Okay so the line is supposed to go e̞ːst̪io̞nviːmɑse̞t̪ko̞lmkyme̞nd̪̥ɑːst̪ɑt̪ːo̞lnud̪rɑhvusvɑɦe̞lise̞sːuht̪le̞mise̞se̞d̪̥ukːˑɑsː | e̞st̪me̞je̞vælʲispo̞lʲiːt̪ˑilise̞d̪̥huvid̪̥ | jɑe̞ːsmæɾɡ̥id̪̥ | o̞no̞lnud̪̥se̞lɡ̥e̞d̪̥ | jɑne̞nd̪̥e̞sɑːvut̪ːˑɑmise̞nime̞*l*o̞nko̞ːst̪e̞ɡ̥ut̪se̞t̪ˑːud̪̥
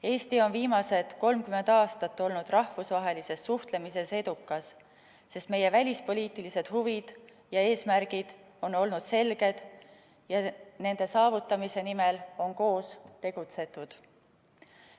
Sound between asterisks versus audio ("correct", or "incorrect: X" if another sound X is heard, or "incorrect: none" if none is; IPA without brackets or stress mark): correct